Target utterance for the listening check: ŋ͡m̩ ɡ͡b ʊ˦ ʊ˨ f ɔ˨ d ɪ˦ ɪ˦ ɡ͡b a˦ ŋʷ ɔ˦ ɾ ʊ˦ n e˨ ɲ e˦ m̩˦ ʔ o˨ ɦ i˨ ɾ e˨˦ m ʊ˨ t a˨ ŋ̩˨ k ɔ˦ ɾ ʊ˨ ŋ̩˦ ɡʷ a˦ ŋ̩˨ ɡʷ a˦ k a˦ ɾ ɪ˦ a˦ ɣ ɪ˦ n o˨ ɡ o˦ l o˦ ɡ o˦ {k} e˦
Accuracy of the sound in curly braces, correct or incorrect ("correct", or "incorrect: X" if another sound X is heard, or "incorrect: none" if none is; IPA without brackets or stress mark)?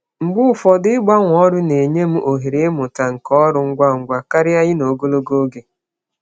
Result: incorrect: ɡ